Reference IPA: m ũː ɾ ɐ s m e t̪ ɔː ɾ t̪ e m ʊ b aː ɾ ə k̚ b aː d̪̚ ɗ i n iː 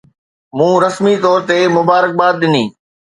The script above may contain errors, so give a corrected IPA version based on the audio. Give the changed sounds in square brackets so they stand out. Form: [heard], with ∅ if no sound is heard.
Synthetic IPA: m ũː ɾ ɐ s m [i] t̪ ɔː ɾ t̪ e m ʊ b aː ɾ ə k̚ b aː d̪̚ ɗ [ɪ] n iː